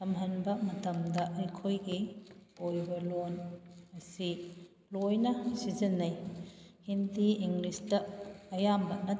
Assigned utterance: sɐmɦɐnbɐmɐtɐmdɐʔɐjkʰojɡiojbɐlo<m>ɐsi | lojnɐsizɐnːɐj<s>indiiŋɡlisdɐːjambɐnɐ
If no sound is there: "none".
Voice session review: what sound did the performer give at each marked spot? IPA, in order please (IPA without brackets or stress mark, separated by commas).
n, h